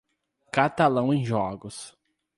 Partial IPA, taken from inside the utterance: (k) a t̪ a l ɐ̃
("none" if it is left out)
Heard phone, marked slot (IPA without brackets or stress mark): k